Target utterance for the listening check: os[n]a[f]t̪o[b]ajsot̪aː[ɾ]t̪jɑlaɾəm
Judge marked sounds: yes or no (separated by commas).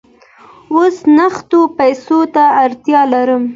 yes, no, no, yes